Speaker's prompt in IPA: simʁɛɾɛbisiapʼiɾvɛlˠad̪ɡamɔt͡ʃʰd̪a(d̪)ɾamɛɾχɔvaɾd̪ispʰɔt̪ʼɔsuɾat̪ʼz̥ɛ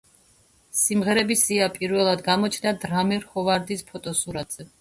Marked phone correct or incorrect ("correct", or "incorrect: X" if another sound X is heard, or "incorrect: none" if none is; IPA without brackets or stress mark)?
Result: correct